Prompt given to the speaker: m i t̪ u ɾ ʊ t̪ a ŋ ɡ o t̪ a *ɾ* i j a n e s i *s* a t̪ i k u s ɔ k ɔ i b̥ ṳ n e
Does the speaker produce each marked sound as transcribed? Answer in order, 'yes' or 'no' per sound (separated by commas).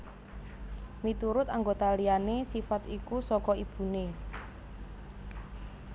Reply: no, no